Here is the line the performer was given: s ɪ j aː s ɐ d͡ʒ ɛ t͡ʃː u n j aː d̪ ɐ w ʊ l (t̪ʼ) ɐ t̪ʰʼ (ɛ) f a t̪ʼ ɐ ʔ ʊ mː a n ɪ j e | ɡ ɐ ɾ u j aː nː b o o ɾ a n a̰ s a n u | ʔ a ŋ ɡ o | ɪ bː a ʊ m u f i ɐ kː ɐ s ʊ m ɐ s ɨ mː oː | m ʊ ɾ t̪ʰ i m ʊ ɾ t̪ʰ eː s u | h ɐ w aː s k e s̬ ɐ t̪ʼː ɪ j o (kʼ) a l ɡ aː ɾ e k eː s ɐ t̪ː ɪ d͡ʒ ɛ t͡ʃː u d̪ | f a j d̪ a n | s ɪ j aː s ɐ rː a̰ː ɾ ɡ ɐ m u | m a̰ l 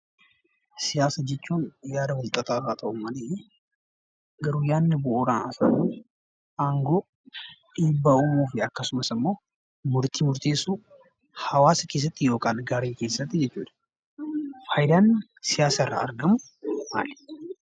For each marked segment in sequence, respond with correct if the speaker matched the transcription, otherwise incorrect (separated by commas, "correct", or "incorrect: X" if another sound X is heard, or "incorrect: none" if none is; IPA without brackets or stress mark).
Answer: correct, incorrect: a, correct